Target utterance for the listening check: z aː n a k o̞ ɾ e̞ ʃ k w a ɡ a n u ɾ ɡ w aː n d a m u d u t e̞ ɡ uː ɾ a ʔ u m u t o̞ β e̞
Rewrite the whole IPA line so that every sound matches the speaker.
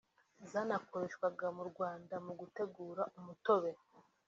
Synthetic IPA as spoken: z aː n a k o̞ ɾ e̞ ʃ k w a ɡ a m u ɾ ɡ w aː n d a m u ɡ u t e̞ ɡ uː ɾ a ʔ u m u t o̞ β e̞